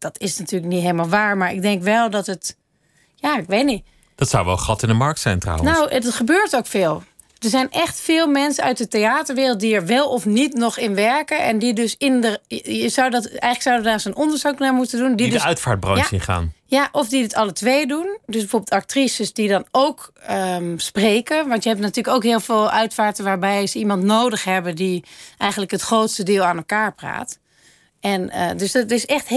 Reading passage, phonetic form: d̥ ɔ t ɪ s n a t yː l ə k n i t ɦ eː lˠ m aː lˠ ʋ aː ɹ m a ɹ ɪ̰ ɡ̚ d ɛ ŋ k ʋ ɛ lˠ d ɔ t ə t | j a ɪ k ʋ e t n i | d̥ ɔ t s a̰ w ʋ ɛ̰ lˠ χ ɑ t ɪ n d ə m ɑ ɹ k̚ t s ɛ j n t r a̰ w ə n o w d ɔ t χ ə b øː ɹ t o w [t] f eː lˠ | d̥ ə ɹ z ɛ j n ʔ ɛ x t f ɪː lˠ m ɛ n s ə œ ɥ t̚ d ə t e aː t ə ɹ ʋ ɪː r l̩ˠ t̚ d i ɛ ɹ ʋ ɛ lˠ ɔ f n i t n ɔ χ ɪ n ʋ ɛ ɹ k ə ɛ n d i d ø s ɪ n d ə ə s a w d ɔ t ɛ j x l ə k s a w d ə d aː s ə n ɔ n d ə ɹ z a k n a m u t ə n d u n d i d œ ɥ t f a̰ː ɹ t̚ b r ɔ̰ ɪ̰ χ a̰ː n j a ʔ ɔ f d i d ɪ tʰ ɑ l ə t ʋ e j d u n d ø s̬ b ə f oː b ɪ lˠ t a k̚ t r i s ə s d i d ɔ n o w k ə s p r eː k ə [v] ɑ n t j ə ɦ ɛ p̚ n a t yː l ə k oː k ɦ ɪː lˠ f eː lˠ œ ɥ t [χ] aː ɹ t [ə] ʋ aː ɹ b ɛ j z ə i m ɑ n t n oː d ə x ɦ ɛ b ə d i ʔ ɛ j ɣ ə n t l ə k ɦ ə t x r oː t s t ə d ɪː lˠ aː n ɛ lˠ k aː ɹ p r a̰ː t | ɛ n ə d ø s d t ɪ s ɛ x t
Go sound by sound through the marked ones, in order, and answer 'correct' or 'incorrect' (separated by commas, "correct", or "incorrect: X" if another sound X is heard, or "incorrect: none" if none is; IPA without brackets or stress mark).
incorrect: k, incorrect: ʋ, incorrect: f, correct